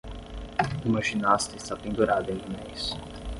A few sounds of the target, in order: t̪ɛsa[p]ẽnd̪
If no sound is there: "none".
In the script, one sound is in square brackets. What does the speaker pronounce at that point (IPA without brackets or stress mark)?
p